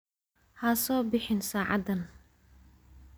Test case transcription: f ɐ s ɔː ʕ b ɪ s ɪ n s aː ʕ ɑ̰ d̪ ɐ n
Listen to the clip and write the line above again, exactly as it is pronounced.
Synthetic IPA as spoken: h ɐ s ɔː b ɪ ħ ɪ n s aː ʕ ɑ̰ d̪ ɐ n